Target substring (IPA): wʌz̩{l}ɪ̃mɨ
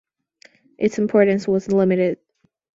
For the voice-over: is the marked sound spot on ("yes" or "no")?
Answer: yes